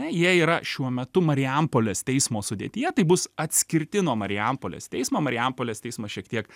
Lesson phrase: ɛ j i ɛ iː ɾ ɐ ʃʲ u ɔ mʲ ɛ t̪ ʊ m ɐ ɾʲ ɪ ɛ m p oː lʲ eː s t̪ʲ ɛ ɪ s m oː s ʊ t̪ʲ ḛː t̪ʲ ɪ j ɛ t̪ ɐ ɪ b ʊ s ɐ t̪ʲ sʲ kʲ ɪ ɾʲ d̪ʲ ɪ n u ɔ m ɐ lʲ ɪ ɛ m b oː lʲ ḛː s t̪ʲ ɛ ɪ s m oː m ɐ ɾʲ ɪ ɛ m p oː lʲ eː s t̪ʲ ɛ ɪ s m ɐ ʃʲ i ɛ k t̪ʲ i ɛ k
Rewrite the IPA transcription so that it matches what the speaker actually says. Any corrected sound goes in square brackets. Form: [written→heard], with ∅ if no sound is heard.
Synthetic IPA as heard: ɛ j i ɛ iː ɾ ɐ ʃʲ u ɔ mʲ ɛ t̪ ʊ m ɐ ɾʲ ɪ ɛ m p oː lʲ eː s t̪ʲ ɛ ɪ s m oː s ʊ [t̪ʲ→d̪ʲ] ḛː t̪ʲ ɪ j ɛ t̪ ɐ ɪ b ʊ s ɐ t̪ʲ sʲ kʲ ɪ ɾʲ [d̪ʲ→t̪ʲ] ɪ n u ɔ m ɐ [lʲ→ɾʲ] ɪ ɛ m [b→p] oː lʲ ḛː s t̪ʲ ɛ ɪ s m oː m ɐ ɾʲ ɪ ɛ m p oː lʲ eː s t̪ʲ ɛ ɪ s m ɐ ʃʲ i ɛ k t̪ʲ i ɛ k